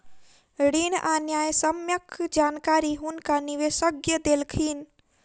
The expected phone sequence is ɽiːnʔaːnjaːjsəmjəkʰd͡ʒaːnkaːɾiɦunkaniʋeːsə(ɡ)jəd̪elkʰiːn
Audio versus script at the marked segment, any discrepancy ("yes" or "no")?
no